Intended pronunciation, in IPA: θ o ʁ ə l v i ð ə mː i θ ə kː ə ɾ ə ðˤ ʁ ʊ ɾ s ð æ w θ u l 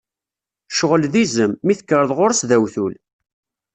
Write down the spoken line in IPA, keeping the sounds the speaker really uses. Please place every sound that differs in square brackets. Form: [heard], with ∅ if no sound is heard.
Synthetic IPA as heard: [ʃ] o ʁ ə l [ð] i [z] ə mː i θ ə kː ə ɾ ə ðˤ ʁ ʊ ɾ s ð æ w θ u l